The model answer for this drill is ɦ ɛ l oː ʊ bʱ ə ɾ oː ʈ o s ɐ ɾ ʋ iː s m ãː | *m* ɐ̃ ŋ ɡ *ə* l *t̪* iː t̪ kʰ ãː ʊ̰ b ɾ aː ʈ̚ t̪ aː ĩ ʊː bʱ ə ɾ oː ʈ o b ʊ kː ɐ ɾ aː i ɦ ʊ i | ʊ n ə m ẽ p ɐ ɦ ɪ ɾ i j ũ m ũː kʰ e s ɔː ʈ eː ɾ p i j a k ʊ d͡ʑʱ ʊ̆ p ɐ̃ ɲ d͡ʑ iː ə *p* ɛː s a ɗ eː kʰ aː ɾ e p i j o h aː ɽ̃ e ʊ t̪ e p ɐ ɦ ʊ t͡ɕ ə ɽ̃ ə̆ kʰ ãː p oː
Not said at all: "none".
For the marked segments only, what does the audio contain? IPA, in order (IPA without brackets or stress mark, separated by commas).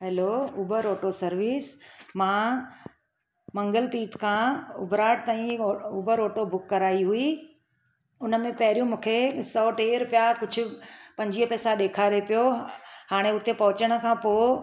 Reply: m, ə, t̪, p